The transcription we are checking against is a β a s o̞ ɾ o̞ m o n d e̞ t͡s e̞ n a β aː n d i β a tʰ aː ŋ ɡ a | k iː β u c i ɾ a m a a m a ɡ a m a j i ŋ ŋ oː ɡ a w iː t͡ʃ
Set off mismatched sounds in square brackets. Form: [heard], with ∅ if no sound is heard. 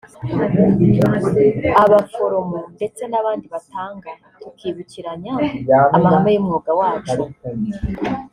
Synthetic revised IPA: a β a [f] o̞ ɾ o̞ m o n d e̞ t͡s e̞ n a β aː n d i β a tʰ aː ŋ ɡ a | k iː β u c i ɾ a [ɲ] a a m a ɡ a m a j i [m] ŋ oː ɡ a w [aː] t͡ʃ